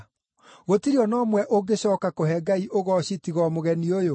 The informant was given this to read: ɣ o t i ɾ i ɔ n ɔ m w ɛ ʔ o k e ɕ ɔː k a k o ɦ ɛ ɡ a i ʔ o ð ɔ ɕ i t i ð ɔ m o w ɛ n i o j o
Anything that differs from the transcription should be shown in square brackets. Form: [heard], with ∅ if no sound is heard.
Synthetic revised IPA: ɣ o t i ɾ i ɔ n ɔ m w ɛ ʔ o [ɡ] e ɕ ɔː k a k o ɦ ɛ ɡ a i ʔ o [ɣ] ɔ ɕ i t i [ɣ] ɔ m o [ɣ] ɛ n i o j o